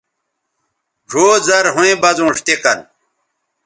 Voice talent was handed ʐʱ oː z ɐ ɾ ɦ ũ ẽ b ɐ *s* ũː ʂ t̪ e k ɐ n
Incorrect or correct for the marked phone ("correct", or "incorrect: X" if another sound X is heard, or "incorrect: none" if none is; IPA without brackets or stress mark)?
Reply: incorrect: z